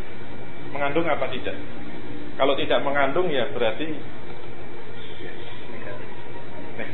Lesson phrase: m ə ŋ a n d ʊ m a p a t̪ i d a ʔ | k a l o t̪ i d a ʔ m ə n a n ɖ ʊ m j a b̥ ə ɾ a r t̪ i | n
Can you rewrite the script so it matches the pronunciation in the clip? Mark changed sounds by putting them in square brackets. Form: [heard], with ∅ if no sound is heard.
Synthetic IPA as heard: m ə ŋ a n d ʊ [ŋ] a p a t̪ i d a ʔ | k a l o t̪ i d a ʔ m ə [ŋ] a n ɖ ʊ [ŋ] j a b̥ ə ɾ a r t̪ i | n